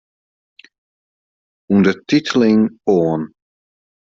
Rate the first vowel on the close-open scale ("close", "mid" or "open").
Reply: close